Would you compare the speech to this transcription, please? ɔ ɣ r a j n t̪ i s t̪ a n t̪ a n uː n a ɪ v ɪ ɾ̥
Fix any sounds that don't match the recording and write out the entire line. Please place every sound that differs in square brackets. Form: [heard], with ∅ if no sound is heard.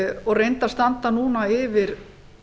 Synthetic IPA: ɔ ɣ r [e] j n t̪ [a] s t̪ a n t̪ a n uː n a ɪ v ɪ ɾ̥